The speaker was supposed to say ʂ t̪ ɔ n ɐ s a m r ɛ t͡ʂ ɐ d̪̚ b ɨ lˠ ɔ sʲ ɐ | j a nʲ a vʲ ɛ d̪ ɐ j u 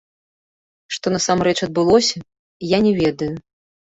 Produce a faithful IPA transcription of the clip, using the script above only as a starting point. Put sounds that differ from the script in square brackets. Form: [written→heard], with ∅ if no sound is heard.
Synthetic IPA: ʂ t̪ ɔ n ɐ s a m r ɛ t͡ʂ ɐ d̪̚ b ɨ lˠ ɔ sʲ ɐ | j a nʲ [a→ɛ] vʲ ɛ d̪ ɐ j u